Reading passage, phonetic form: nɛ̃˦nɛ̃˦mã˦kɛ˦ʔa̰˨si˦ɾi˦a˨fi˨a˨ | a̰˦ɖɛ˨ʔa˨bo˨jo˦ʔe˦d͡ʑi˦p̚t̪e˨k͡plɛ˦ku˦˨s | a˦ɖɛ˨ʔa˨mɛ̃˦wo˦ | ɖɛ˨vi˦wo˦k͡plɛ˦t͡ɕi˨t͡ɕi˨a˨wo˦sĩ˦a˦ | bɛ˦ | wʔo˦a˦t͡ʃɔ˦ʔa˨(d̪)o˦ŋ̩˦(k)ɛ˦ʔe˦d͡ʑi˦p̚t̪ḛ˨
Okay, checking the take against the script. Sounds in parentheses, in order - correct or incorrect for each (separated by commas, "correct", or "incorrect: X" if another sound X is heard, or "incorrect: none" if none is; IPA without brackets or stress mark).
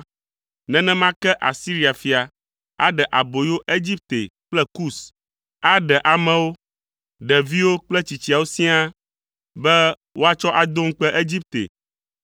correct, incorrect: k͡p